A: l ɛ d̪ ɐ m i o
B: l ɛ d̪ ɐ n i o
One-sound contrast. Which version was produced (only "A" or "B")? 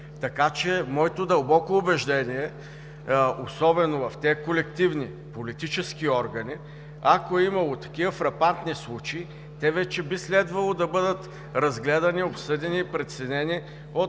B